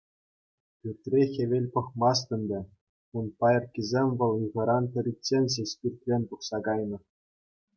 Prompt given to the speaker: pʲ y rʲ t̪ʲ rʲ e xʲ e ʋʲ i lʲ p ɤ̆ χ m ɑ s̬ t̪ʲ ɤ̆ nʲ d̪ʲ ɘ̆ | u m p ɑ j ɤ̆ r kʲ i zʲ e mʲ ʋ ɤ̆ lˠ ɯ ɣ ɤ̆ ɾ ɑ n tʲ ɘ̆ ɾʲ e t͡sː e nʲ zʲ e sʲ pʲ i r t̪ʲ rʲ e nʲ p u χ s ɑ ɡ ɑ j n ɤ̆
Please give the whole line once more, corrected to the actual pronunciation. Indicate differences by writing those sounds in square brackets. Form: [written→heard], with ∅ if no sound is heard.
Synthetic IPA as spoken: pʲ y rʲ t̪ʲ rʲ e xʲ e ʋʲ [i→e] lʲ p ɤ̆ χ m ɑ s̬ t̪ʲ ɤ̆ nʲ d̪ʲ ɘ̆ | u [m→n] p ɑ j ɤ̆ r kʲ i zʲ e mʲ ʋ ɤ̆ lˠ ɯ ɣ ɤ̆ ɾ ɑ n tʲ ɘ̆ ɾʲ [e→i] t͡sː e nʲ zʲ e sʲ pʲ i r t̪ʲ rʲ e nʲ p u χ s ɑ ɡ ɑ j n ɤ̆